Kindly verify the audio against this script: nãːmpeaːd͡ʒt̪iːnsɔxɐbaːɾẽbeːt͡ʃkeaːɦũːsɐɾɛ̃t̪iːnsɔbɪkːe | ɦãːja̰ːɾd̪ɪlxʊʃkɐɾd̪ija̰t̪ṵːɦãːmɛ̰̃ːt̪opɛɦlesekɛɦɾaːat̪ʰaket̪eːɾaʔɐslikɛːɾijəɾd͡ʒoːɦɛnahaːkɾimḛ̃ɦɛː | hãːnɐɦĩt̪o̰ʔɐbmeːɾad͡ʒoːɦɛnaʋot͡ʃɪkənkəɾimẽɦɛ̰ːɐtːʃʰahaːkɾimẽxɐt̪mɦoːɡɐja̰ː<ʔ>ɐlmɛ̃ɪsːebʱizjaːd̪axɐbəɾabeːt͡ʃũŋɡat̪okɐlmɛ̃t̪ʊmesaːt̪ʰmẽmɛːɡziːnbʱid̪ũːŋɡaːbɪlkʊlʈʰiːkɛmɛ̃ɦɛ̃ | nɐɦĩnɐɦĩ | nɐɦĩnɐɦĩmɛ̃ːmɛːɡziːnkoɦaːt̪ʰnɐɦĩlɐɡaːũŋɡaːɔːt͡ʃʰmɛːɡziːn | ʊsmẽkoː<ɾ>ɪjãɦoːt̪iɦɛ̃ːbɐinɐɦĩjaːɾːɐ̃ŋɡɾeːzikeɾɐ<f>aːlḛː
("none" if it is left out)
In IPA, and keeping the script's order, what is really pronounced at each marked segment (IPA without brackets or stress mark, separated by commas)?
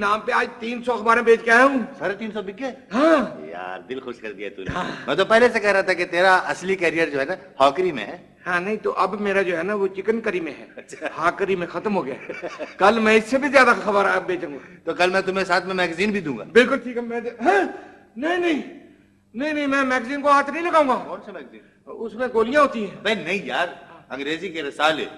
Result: k, l, s